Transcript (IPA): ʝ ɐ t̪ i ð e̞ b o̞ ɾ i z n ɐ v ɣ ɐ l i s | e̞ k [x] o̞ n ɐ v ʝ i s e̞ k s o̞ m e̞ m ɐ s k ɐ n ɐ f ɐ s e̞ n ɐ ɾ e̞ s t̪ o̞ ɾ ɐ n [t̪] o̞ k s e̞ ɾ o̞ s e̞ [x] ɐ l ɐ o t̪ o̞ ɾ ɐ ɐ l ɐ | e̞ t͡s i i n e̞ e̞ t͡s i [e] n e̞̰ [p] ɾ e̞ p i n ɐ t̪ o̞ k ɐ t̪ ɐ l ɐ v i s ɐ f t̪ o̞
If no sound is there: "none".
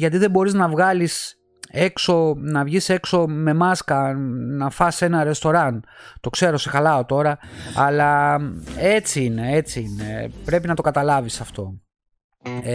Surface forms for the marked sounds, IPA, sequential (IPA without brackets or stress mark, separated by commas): s, t̪, x, i, p